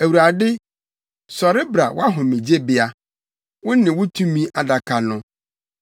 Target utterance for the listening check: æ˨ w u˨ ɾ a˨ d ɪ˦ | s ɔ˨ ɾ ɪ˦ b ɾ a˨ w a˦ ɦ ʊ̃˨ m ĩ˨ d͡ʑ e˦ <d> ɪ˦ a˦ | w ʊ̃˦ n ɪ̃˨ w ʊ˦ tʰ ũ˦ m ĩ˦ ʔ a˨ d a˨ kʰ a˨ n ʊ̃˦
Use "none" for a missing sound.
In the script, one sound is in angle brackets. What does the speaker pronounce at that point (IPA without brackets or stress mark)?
b